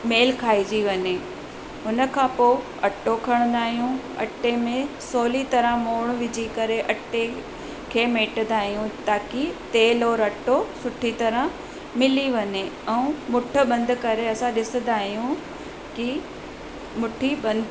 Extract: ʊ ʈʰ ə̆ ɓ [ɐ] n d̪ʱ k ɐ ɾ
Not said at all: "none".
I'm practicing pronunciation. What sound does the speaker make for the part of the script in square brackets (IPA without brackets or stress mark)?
ɐ̃